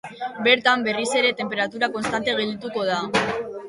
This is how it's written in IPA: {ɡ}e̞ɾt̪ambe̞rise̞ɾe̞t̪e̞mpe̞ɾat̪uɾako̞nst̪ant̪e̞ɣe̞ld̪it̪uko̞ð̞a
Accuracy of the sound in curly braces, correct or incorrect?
incorrect